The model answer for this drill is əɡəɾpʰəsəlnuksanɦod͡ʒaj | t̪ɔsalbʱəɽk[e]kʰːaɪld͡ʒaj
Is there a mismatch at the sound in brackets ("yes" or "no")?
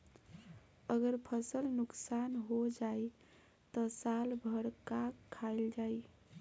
yes